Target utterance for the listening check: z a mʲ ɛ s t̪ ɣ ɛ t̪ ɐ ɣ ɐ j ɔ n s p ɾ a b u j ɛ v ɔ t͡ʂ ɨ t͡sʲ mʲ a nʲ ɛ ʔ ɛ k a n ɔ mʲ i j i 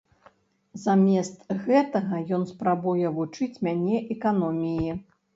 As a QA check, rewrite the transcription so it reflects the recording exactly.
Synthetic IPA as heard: z a mʲ ɛ s t̪ ɣ ɛ t̪ ɐ ɣ ɐ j ɔ n s p ɾ a b u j ɛ v u t͡ʂ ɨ t͡sʲ mʲ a nʲ ɛ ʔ ɛ k a n ɔ mʲ i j i